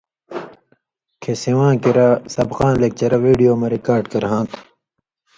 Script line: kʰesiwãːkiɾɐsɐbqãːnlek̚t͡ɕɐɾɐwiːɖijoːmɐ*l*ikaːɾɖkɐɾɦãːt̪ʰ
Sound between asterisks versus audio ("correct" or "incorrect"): incorrect